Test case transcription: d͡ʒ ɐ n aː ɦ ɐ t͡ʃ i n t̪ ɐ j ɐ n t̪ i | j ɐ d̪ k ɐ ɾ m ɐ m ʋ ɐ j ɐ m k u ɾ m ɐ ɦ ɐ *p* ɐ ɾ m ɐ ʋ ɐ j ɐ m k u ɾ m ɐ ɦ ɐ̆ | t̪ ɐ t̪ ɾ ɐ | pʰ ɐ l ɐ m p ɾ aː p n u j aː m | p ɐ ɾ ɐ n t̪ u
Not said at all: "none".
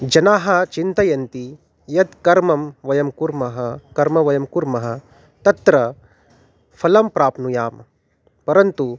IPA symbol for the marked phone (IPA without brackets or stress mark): k